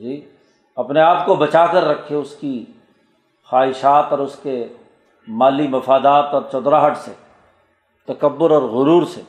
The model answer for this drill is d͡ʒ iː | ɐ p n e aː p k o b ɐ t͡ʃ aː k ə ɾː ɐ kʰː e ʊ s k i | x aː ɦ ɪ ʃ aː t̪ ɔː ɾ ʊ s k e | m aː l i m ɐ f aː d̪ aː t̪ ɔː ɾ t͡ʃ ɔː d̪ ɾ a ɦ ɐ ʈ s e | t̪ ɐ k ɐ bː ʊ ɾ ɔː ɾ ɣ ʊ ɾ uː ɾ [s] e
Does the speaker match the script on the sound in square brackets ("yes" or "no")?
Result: yes